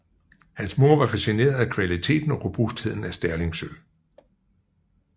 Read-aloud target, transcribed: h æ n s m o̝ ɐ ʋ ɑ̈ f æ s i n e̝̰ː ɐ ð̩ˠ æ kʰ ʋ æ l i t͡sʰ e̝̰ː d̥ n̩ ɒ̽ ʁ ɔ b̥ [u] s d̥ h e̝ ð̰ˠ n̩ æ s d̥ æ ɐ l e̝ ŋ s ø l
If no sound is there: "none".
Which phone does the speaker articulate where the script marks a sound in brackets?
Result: u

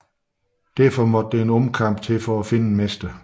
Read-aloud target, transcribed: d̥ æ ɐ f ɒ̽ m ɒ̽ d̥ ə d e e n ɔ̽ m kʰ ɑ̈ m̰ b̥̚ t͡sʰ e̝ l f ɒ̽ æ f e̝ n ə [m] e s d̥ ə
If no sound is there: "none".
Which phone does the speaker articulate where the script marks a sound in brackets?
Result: m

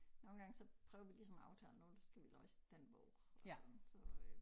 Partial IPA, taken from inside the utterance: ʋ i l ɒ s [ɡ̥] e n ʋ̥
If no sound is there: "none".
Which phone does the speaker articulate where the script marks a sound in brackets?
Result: d̥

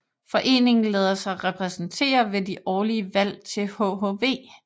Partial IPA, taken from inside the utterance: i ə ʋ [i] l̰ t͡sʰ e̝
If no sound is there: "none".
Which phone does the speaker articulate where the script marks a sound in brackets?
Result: æ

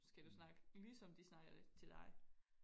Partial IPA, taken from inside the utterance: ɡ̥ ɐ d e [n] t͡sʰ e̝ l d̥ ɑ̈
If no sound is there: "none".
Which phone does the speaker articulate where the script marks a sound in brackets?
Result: none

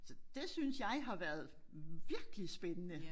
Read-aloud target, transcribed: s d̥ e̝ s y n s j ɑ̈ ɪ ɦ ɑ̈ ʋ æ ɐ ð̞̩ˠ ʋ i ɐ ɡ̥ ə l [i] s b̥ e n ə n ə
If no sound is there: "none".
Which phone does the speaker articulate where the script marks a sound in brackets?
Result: i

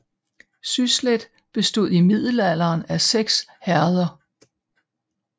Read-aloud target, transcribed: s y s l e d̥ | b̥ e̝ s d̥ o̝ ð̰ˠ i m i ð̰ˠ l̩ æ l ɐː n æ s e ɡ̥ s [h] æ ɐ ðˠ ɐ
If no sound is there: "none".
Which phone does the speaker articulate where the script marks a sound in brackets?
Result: h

